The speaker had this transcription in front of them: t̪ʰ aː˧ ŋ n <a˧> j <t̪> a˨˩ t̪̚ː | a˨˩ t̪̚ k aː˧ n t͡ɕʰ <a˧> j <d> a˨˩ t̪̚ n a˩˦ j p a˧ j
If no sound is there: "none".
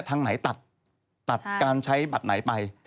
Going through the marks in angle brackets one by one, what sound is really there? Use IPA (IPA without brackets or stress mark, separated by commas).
a˩˦, t̪, a˦˥, b